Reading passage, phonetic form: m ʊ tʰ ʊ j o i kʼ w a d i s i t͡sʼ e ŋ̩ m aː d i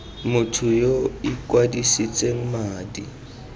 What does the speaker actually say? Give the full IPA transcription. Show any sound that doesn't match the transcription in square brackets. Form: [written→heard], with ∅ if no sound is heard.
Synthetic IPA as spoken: m ʊ tʰ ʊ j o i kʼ w a d i s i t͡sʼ e ŋ̩ m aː d i